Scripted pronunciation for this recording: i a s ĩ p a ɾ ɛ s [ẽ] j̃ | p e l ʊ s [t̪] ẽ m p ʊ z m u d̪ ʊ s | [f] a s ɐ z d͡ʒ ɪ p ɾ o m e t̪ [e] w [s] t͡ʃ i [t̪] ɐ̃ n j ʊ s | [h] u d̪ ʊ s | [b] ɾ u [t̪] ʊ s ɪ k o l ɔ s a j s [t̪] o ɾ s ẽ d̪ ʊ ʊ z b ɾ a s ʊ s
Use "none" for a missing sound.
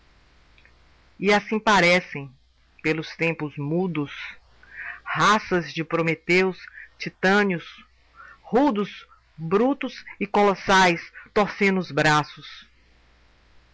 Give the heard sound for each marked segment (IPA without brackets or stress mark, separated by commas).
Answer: ẽ, t̪, h, e, s, t̪, h, b, t̪, t̪